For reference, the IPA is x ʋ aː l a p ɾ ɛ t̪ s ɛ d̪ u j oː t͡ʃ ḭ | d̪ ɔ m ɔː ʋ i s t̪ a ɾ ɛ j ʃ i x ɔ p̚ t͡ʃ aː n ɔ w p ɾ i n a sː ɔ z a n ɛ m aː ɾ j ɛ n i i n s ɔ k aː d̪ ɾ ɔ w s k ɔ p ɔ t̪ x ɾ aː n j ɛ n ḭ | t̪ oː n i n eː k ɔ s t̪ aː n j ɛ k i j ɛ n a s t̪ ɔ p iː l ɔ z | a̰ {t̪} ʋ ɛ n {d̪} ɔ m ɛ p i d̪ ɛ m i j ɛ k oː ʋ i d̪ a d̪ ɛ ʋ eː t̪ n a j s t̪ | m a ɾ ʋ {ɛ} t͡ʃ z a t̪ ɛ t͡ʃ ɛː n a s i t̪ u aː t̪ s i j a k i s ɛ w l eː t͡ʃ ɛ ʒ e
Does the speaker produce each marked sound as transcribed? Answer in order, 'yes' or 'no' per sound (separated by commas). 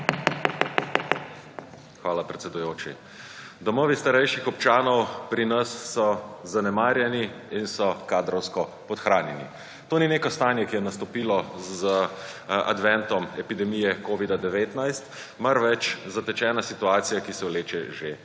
no, no, yes